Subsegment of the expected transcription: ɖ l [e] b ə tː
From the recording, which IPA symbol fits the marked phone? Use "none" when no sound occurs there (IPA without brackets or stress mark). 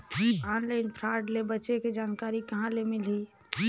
e